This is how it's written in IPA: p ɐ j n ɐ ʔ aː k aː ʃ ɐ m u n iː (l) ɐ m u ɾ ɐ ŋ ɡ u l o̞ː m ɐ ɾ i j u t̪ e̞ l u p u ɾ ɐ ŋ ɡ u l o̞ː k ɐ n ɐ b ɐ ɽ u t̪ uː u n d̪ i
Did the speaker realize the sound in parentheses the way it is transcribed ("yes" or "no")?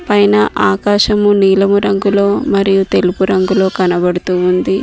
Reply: yes